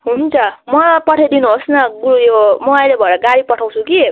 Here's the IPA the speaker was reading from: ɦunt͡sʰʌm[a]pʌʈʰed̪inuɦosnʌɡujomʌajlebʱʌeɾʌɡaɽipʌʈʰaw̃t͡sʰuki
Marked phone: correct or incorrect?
incorrect